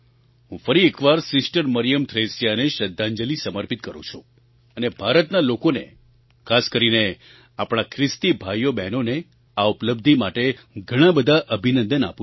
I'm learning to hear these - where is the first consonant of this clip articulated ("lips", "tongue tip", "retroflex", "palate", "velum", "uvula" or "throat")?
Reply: throat